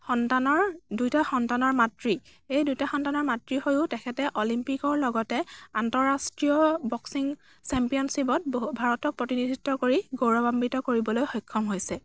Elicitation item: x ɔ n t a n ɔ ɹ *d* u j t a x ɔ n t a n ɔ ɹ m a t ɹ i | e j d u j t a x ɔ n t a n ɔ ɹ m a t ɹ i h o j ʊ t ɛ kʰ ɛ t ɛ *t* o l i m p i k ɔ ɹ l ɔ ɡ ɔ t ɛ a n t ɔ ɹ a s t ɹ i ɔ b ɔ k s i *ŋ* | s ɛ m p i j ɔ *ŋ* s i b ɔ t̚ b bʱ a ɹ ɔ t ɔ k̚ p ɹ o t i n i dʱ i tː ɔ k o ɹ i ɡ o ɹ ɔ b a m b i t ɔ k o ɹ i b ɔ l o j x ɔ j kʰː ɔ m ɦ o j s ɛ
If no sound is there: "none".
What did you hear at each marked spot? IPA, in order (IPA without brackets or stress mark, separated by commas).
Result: d, ʔ, ŋ, n